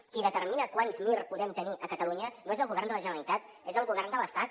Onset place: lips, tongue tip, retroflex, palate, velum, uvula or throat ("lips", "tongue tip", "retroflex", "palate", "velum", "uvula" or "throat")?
velum